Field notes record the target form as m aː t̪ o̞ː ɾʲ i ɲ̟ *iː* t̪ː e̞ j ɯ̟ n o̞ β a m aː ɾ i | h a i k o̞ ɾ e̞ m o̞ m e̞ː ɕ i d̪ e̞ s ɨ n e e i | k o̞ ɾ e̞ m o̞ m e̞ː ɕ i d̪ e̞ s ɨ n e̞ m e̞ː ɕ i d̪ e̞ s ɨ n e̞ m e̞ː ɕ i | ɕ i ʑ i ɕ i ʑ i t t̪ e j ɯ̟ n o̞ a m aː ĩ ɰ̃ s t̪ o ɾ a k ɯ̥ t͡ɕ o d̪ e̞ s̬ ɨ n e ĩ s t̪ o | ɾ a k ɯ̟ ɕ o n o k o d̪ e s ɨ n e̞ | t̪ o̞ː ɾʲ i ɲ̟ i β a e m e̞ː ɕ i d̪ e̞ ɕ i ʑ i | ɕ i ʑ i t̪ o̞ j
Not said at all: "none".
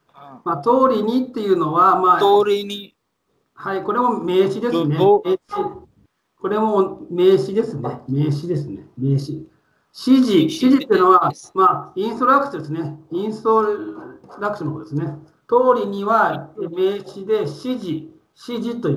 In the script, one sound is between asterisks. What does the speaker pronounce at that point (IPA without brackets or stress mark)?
i